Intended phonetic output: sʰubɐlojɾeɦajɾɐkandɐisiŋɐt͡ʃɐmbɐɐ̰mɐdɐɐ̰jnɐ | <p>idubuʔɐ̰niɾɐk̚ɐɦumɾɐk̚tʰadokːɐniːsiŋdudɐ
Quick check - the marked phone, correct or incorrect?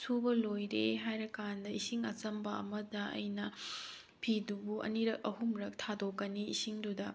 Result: incorrect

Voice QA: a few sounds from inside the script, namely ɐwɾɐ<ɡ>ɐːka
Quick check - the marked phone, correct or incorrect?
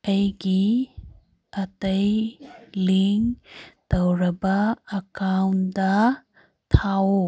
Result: incorrect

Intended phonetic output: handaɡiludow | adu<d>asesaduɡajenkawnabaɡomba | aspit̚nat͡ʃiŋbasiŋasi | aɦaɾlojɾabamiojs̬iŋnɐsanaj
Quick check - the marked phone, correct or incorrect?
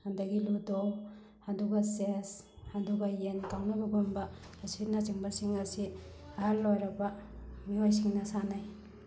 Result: incorrect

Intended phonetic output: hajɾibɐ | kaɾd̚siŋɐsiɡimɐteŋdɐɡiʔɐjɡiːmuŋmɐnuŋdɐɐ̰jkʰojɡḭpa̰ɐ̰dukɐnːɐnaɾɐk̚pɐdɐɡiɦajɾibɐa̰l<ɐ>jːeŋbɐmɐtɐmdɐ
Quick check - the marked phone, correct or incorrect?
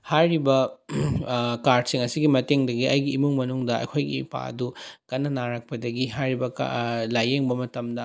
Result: incorrect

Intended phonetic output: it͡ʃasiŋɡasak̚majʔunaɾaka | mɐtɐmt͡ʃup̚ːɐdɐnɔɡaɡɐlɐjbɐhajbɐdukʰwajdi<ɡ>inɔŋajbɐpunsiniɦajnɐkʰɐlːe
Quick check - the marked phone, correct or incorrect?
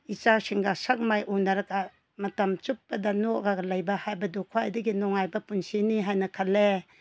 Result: correct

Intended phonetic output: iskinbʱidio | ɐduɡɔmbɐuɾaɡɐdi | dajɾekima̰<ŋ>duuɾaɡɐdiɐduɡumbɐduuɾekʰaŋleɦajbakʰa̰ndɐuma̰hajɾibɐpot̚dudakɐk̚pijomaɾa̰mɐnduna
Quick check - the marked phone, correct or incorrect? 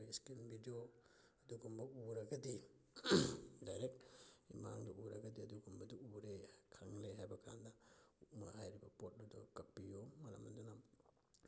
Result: correct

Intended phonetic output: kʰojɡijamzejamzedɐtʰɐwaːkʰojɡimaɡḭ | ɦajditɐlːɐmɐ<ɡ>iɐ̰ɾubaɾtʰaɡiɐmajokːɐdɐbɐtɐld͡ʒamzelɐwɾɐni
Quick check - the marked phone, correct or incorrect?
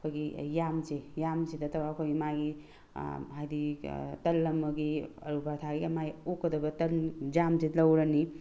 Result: correct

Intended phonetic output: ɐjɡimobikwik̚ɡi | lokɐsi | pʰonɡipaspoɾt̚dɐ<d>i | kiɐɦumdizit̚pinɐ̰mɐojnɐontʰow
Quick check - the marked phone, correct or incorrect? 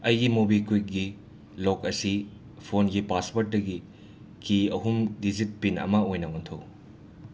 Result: incorrect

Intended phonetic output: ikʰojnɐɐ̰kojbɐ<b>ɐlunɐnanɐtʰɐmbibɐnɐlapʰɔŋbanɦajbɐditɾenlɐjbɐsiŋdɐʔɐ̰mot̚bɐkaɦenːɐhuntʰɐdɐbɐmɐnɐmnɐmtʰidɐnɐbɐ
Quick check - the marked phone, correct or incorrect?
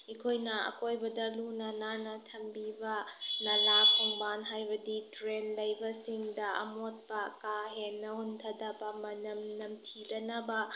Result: incorrect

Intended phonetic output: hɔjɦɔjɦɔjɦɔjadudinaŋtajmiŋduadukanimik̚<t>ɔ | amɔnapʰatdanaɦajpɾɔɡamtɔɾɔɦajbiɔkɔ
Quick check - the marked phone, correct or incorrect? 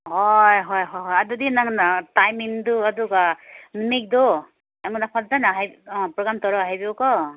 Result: incorrect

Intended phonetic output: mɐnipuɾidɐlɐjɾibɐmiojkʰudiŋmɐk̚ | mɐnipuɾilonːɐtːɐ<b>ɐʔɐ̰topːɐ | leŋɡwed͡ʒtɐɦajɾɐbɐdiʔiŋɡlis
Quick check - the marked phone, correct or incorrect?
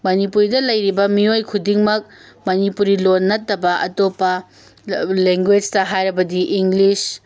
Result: correct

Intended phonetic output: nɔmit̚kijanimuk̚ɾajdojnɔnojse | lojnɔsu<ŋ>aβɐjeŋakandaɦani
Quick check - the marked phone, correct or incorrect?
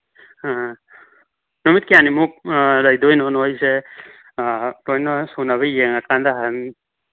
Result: incorrect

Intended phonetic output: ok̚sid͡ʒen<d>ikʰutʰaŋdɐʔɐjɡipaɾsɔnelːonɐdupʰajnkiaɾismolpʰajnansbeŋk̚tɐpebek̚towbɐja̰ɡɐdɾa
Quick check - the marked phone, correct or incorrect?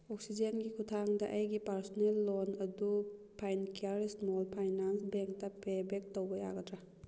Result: incorrect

